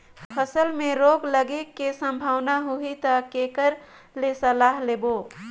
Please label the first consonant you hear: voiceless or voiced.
voiceless